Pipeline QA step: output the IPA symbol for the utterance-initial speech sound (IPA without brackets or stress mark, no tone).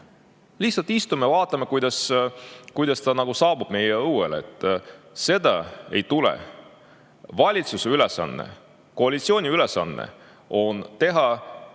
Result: l